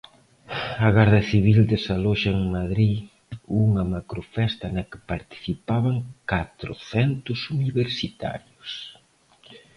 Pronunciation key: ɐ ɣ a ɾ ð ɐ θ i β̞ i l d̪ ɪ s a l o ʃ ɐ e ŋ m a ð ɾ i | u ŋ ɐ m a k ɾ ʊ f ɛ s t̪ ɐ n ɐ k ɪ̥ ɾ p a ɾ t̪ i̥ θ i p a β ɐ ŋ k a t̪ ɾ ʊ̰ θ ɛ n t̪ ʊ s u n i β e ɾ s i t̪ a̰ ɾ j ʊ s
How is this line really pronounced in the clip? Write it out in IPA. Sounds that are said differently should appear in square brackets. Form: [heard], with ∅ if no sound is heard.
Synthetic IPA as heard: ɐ ɣ a ɾ ð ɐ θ i β̞ i l d̪ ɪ s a l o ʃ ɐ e ŋ m a ð ɾ i | u ŋ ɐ m a k ɾ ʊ f ɛ s t̪ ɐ n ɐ k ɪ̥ [∅] p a ɾ t̪ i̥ θ i p a β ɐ ŋ k a t̪ ɾ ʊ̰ θ ɛ n t̪ ʊ s u n i β e ɾ s i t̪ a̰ ɾ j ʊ s